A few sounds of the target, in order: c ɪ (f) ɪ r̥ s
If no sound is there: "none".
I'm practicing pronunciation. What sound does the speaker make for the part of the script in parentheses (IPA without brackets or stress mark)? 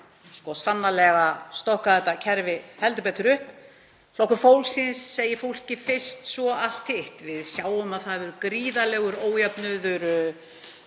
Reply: f